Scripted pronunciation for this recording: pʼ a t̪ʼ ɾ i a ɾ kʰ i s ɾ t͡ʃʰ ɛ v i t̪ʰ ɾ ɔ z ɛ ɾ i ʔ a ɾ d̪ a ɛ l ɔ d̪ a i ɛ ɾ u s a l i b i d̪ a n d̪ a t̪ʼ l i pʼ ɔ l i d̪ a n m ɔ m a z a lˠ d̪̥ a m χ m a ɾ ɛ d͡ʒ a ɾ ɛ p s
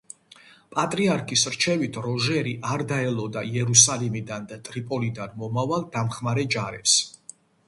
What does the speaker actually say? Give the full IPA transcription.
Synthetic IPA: pʼ a t̪ʼ ɾ i a ɾ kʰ i s ɾ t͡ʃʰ ɛ v i t̪ʰ ɾ ɔ ʒ ɛ ɾ i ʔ a ɾ d̪ a ɛ l ɔ d̪ a i ɛ ɾ u s a l i m i d̪ a n d̪ a t̪ʼ ɾ i pʼ ɔ l i d̪ a n m ɔ m a v a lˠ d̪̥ a m χ m a ɾ ɛ d͡ʒ a ɾ ɛ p s